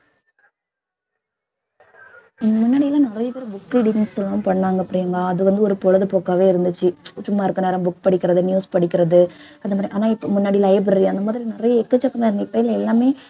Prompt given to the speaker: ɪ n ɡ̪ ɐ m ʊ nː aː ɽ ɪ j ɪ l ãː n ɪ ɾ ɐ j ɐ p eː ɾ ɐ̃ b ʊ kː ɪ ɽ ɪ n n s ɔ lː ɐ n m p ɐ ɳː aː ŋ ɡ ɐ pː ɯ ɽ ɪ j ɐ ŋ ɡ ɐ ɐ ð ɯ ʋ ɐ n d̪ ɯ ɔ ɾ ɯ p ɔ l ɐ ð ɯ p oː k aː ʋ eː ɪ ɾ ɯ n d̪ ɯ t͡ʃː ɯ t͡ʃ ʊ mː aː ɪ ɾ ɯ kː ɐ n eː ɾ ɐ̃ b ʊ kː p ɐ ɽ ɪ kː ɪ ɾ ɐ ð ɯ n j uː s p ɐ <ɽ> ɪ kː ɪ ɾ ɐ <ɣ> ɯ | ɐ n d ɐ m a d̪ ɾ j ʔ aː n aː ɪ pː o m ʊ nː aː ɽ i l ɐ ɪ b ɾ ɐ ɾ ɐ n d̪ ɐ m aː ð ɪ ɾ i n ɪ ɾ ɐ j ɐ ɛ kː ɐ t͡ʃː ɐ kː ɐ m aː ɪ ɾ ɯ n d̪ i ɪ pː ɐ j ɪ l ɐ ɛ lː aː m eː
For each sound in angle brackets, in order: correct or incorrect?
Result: correct, incorrect

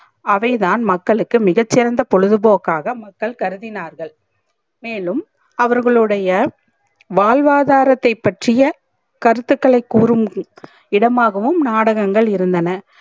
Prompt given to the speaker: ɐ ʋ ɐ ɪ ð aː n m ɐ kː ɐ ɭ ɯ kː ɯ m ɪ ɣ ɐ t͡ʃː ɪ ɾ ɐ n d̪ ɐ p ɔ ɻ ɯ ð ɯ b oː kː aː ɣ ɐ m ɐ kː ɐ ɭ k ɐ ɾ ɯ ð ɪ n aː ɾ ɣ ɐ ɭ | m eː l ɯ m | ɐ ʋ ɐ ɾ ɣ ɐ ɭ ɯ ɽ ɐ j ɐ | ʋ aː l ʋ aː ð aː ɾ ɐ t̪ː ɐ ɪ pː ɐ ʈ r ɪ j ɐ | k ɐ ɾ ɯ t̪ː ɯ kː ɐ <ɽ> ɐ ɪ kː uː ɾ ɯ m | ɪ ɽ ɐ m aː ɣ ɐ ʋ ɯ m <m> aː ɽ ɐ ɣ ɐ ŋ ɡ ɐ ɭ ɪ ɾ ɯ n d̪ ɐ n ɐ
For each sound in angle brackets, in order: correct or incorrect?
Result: incorrect, incorrect

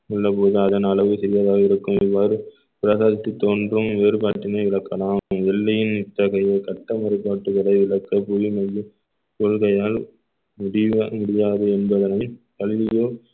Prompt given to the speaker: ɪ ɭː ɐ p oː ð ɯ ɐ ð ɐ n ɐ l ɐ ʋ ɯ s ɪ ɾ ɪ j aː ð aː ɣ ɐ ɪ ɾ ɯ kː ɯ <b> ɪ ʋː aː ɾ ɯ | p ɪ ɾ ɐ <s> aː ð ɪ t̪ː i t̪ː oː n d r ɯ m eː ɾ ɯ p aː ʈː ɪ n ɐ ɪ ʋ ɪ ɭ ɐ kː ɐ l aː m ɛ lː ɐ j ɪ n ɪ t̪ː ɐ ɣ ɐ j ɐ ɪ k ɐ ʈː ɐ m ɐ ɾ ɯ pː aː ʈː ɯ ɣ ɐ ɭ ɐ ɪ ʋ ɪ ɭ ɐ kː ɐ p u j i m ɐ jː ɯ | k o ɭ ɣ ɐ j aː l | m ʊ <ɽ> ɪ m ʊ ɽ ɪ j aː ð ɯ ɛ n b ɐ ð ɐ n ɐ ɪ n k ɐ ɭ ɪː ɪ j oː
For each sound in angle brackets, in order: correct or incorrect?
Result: incorrect, correct, correct

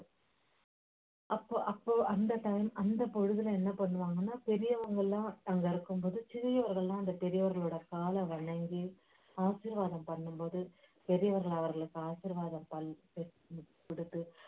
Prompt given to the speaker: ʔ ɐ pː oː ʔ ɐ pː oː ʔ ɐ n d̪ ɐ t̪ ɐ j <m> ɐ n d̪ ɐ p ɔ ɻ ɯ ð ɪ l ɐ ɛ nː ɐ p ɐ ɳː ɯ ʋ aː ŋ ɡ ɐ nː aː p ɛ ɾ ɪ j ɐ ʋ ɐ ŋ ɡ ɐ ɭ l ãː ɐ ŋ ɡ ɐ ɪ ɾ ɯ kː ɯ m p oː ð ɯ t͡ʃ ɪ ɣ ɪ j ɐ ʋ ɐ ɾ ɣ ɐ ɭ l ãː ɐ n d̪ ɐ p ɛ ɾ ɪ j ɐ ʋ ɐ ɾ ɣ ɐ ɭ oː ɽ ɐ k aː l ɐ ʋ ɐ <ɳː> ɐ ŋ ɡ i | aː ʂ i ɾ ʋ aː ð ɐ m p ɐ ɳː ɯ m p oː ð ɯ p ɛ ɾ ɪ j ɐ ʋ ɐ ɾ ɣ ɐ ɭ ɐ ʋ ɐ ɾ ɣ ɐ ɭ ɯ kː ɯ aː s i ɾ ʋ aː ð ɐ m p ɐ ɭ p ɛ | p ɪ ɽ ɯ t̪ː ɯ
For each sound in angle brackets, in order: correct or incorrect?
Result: correct, incorrect

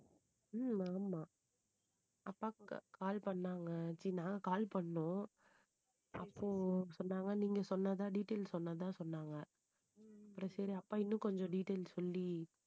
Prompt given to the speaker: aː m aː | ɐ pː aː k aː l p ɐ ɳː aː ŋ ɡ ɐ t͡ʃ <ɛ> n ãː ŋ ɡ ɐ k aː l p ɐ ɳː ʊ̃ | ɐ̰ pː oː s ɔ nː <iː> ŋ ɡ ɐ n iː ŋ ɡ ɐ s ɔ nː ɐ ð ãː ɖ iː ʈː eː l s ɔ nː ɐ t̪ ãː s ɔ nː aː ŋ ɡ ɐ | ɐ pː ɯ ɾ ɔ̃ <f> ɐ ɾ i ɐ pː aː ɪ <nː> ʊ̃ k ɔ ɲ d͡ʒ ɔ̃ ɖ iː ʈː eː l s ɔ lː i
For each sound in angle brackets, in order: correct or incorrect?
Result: incorrect, incorrect, incorrect, correct

